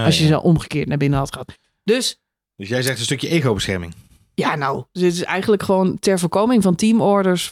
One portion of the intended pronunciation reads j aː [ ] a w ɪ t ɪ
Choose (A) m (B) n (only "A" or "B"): B